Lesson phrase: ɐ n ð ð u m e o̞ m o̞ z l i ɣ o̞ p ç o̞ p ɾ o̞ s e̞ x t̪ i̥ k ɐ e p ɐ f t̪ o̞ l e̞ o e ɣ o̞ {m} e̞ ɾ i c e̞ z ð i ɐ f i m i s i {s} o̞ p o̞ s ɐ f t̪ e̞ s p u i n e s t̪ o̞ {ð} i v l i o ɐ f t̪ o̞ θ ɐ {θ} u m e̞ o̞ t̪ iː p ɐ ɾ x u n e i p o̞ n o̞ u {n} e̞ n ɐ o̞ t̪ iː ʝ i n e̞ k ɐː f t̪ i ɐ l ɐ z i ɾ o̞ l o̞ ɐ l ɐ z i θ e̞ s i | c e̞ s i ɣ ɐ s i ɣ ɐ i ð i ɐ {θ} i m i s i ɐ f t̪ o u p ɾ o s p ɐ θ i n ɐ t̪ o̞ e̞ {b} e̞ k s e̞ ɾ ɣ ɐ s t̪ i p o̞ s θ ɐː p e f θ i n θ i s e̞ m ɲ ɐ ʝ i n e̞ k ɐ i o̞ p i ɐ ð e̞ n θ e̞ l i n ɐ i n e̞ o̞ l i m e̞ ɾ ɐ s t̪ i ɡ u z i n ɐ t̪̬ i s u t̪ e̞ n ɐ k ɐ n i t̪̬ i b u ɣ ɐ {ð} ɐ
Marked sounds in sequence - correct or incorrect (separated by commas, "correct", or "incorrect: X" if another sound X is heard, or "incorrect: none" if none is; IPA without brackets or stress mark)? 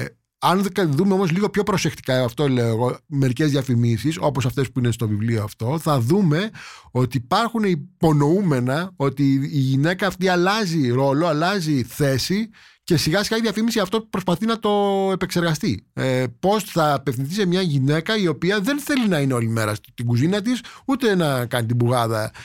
correct, correct, incorrect: v, incorrect: ð, incorrect: m, incorrect: f, incorrect: p, correct